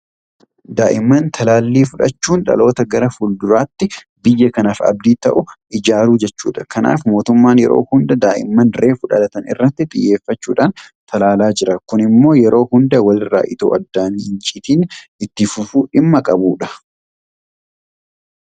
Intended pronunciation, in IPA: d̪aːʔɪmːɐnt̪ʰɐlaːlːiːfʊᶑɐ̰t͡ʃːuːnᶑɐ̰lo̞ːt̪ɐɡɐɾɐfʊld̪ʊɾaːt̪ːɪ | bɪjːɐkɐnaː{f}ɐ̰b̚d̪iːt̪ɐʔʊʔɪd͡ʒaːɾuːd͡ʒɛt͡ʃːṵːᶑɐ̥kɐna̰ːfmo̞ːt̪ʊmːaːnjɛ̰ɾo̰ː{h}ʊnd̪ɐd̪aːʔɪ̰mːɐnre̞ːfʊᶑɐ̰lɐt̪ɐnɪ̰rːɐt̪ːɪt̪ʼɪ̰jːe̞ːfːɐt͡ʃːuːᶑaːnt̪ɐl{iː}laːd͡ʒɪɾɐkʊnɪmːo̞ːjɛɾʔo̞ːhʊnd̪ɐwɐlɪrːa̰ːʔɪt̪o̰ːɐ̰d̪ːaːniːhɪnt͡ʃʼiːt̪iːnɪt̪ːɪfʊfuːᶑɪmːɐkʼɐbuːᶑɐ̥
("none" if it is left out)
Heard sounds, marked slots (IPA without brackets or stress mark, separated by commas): f, h, aː